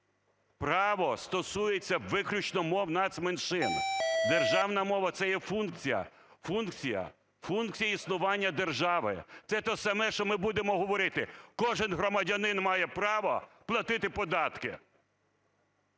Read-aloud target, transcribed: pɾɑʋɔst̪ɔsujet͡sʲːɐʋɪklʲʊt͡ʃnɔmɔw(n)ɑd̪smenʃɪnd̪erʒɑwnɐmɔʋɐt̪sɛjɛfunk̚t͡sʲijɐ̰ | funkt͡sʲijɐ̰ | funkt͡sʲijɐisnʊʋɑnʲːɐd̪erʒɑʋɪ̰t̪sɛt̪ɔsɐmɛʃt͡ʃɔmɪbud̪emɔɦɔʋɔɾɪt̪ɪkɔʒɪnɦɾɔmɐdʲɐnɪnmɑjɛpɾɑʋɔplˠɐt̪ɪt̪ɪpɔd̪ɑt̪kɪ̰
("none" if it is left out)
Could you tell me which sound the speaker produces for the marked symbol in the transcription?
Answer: n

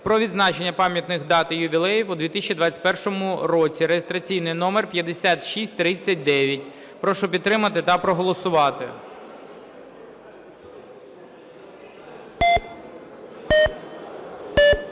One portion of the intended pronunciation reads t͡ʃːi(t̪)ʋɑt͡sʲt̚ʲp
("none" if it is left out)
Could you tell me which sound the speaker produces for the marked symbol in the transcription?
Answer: d̪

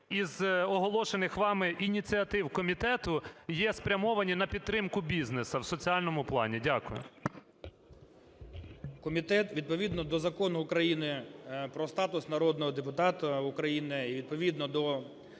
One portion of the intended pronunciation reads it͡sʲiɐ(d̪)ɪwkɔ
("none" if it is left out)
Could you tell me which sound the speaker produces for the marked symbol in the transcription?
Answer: t̪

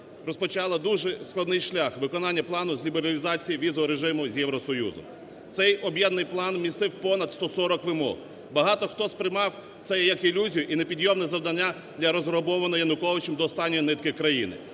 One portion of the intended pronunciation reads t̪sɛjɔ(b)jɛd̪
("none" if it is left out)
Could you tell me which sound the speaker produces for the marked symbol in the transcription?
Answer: b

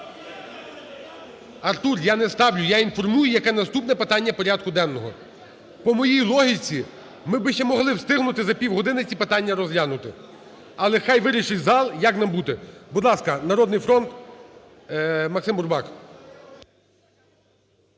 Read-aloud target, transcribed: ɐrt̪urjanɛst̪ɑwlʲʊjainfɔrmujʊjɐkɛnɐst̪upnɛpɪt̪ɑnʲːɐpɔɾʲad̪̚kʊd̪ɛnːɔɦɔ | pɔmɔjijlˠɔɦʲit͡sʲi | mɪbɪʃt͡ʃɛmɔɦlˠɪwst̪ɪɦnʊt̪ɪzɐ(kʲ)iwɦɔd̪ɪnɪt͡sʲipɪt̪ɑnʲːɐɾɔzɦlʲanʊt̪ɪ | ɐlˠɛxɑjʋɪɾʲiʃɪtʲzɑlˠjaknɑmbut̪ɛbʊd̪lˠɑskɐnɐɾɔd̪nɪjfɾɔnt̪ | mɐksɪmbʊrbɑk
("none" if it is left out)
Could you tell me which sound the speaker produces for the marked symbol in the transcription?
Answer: pʲ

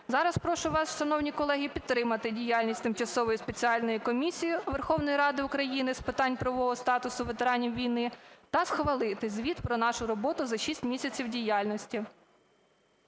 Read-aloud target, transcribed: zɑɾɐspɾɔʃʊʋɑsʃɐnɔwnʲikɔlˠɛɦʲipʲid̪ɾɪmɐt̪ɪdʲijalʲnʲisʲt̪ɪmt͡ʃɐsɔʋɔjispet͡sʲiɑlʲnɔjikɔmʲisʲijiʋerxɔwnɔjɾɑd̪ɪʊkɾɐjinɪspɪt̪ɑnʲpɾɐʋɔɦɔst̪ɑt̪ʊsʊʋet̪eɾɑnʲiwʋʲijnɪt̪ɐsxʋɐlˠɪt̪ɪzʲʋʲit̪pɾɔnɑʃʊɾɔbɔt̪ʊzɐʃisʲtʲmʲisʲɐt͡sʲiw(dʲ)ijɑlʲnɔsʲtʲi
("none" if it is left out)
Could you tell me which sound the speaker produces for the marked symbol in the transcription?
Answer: dʲ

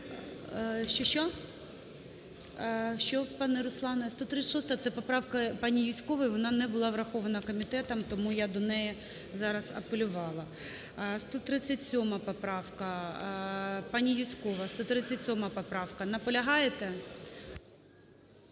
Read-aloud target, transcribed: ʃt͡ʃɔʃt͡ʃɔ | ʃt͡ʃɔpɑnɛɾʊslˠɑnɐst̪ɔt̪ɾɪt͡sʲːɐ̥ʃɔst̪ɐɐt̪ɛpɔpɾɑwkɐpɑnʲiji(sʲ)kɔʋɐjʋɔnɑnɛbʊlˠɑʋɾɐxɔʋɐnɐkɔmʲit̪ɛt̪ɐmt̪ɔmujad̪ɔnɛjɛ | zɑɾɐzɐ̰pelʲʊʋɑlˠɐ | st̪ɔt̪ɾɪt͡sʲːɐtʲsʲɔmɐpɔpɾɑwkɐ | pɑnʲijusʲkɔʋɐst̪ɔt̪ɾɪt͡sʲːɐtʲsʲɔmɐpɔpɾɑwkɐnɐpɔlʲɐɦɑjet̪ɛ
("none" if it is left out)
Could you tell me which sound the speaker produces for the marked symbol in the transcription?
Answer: sʲ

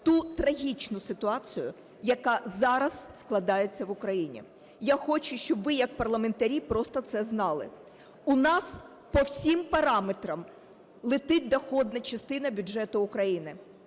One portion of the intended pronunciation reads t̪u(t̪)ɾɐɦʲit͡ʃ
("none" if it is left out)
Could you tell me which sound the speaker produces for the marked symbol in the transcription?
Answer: t̪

